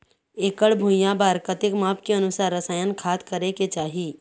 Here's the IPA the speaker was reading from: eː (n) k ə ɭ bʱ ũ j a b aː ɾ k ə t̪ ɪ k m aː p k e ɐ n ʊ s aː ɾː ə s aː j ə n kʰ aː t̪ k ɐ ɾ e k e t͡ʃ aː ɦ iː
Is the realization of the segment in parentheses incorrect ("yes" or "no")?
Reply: yes